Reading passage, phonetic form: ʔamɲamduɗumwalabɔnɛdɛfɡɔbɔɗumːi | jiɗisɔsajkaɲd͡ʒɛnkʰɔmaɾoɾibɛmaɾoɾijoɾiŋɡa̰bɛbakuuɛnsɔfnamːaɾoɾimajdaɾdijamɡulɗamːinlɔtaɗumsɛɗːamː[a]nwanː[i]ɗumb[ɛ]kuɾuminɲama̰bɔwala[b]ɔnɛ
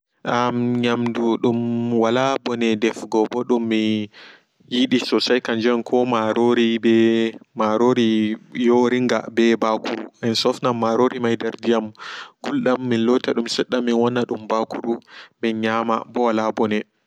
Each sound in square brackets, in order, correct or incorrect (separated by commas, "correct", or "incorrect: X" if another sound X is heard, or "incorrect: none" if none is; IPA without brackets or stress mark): incorrect: i, incorrect: a, incorrect: a, correct